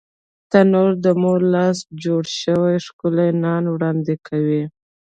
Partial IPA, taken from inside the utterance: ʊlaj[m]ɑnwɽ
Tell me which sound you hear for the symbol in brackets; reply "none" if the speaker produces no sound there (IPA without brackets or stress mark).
n